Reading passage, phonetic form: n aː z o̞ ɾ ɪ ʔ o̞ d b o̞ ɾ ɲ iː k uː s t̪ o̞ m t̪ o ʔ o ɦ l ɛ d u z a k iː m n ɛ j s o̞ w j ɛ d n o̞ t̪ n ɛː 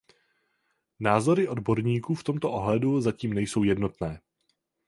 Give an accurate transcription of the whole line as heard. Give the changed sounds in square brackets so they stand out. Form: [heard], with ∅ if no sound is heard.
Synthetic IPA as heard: n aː z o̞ ɾ ɪ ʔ o̞ d b o̞ ɾ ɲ iː k uː [f] t̪ o̞ m t̪ o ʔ o ɦ l ɛ d u z a [c] iː m n ɛ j s o̞ w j ɛ d n o̞ t̪ n ɛː